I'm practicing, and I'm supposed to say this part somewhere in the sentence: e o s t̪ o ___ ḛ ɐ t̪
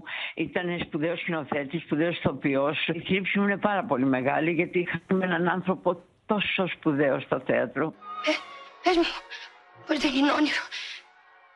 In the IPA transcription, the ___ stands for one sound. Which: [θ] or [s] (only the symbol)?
θ